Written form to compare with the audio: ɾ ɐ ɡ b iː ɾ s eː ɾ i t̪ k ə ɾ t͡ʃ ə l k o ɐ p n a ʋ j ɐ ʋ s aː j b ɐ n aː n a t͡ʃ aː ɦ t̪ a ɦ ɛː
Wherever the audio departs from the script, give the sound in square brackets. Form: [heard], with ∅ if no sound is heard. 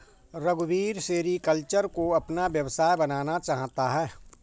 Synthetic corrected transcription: ɾ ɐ ɡ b iː ɾ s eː ɾ i [∅] k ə [l] t͡ʃ ə [ɾ] k o ɐ p n a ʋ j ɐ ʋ s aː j b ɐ n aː n a t͡ʃ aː ɦ t̪ a ɦ ɛː